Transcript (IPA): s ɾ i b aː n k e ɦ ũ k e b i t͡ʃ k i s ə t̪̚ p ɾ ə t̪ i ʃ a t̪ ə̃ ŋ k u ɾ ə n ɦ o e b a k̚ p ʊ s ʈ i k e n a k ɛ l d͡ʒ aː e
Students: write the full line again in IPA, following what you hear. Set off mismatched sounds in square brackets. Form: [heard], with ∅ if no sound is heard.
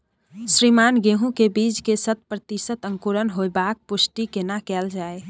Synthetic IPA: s ɾ i [m] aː n [ɡ] e ɦ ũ k e b i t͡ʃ k [e] s ə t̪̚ p ɾ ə t̪ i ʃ [ə] t̪ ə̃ ŋ k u ɾ ə n ɦ o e b a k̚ p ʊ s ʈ i k e n a k ɛ l d͡ʒ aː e